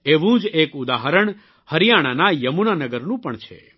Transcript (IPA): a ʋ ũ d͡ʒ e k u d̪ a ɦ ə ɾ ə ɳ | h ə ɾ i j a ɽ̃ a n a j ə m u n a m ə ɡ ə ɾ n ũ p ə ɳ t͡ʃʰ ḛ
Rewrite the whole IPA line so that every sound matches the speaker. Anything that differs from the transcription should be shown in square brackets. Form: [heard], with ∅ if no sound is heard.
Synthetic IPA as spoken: [e] ʋ ũ d͡ʒ e k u d̪ a ɦ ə ɾ ə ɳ | h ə ɾ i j a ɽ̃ a n a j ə m u n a [n] ə ɡ ə ɾ n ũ p ə ɳ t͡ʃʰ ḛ